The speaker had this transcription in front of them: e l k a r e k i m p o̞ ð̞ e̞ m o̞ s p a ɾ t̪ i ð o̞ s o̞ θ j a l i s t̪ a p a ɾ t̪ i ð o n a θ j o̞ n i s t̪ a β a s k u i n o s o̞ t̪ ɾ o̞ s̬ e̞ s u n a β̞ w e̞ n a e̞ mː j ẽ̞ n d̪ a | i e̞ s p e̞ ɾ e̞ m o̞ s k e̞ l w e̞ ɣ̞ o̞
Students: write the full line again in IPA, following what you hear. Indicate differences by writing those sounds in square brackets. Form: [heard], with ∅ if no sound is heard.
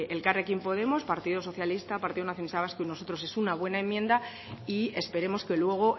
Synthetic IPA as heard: e l k a r e k i m p o̞ ð̞ e̞ m o̞ s p a ɾ t̪ i ð o̞ s o̞ θ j a l i s t̪ a p a ɾ t̪ i ð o n a θ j o̞ n i s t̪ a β a s k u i n o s o̞ t̪ ɾ o̞ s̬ e̞ s u n a β̞ w e̞ n a e̞ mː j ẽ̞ n d̪ a | i e̞ s p e̞ ɾ e̞ m o̞ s k e̞ l w e̞ ɣ̞ o̞